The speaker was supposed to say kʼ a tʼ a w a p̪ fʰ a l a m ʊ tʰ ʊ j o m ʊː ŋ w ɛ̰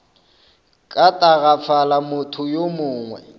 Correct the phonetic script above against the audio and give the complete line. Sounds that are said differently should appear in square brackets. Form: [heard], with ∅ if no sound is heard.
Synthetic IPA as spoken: kʼ a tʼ a [ɣ] a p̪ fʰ a l a m ʊ tʰ ʊ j o m ʊː ŋ w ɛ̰